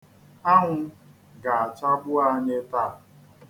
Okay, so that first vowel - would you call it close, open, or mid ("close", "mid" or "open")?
open